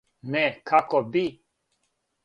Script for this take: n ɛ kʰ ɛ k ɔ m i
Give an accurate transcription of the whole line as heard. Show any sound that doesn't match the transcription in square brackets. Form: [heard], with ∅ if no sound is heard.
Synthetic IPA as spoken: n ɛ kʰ [a] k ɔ [b] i